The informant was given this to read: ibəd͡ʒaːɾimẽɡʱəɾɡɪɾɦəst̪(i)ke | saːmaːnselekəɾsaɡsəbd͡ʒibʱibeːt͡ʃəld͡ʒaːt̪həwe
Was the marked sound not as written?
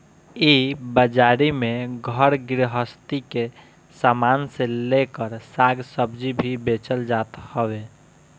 no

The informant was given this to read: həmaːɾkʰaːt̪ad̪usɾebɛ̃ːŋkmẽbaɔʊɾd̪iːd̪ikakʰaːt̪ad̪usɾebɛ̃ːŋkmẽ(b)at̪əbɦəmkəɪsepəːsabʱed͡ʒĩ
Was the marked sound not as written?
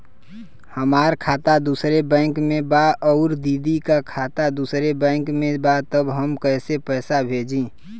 no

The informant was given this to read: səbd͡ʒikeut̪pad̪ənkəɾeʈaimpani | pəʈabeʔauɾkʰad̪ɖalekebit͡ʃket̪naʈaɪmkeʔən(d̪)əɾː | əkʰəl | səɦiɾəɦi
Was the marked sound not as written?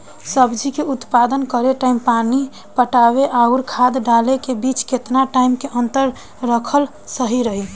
yes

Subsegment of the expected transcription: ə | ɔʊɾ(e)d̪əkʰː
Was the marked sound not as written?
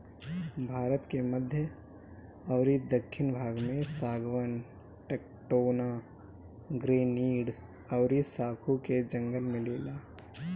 yes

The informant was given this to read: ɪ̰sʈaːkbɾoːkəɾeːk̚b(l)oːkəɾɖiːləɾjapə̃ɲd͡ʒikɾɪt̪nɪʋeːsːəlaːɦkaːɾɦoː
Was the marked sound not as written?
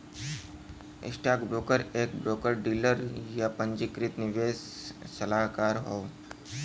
yes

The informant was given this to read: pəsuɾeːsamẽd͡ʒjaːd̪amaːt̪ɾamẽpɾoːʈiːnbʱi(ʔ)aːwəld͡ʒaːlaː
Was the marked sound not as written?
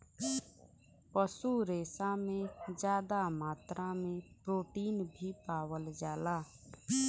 yes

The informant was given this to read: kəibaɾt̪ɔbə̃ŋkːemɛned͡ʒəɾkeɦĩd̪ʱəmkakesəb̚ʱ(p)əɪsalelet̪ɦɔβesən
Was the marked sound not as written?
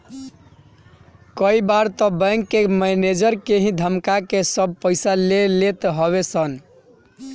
no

